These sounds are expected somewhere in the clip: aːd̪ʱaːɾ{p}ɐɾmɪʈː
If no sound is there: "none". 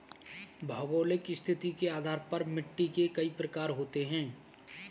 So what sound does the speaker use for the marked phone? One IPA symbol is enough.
p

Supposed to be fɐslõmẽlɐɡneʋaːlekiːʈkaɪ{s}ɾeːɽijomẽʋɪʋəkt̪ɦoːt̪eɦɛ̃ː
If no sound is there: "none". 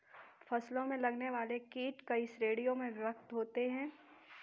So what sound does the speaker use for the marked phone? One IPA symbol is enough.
s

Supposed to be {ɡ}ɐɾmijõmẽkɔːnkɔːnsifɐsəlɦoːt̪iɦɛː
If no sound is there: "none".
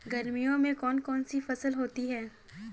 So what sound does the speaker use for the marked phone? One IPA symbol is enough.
ɡ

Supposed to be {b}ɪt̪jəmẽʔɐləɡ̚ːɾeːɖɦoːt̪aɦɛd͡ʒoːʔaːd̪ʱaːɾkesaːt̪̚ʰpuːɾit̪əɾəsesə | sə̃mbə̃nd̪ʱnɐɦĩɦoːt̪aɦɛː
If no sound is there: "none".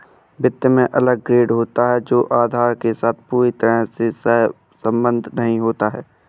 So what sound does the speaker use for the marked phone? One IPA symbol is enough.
b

